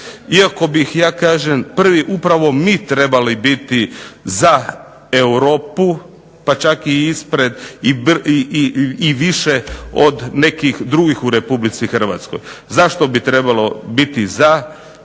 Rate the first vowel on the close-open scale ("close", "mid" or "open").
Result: close